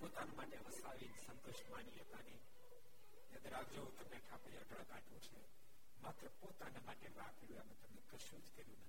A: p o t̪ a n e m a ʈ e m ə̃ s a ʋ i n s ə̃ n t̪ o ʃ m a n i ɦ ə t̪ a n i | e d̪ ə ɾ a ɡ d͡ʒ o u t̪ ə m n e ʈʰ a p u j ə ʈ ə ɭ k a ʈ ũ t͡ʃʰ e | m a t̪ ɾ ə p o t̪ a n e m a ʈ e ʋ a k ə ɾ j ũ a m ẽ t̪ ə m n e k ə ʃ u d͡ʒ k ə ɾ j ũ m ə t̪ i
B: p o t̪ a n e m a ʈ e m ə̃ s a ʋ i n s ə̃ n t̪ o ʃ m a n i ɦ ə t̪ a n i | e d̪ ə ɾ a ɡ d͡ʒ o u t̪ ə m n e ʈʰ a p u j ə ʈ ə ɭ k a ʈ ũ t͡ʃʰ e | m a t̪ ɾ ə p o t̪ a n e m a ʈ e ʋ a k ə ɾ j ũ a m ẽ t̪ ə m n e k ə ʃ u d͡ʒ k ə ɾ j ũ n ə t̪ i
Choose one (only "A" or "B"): B